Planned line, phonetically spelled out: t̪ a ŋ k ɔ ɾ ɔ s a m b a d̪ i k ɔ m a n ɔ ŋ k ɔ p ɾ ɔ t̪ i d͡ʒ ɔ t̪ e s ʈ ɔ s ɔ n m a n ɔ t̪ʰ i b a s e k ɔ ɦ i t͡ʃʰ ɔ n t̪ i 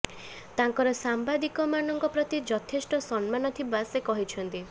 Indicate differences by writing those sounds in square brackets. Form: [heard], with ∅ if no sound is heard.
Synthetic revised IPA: t̪ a ŋ k ɔ ɾ ɔ s a m b a d̪ i k ɔ m a n ɔ ŋ k ɔ p ɾ ɔ t̪ i d͡ʒ ɔ [t̪ʰ] e s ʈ ɔ s ɔ n m a n ɔ t̪ʰ i b a s e k ɔ ɦ i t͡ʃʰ ɔ n t̪ i